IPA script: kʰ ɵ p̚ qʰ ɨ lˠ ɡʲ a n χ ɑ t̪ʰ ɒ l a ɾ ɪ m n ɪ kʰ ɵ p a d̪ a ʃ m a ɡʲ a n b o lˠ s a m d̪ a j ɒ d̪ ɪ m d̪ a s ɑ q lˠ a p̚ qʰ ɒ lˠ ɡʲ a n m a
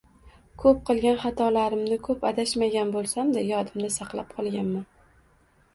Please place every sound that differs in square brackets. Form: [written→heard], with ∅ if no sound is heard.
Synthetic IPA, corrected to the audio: kʰ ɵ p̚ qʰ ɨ lˠ ɡʲ a n χ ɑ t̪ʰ ɒ l a ɾ ɪ m n ɪ kʰ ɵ p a d̪ a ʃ m a ɡʲ a n b o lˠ s a m d̪ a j ɒ d̪ ɪ m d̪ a s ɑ q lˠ a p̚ qʰ ɒ lˠ ɡʲ a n m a